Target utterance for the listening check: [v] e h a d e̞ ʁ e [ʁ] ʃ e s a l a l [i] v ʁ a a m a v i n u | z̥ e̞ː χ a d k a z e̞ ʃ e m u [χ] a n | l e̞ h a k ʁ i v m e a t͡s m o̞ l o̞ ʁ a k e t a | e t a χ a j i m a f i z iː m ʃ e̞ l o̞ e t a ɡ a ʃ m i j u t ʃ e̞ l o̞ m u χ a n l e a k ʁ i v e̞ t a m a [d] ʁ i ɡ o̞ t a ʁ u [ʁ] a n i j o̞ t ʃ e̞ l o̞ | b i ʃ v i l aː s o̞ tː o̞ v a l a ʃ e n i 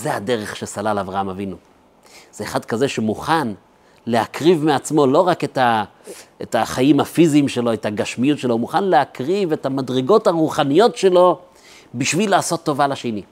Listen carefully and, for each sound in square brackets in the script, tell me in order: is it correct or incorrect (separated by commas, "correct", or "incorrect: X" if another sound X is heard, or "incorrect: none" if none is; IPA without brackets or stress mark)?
incorrect: z, incorrect: χ, incorrect: a, correct, correct, incorrect: χ